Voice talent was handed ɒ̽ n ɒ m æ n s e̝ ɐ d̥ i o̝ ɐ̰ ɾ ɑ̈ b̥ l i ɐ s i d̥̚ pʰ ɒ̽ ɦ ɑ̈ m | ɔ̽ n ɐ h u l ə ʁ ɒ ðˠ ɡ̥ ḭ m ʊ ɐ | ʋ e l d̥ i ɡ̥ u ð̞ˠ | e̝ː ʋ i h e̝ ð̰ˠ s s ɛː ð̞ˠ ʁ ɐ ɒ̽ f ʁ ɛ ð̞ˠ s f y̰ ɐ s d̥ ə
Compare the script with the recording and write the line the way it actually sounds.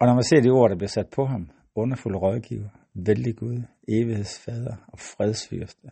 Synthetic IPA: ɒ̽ n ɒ m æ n s e̝ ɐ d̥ i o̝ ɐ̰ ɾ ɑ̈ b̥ l i ɐ s æ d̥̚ pʰ ɒ̽ ɦ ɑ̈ m | ɔ̽ n ɐ f u l ə ʁ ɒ ðˠ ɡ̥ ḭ ʊ ɐ | ʋ e l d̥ i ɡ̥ u ð̞ˠ | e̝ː ʋ i h e̝ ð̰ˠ s f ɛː ð̞ˠ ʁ ɐ ɒ̽ f ʁ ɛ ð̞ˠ s f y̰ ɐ s d̥ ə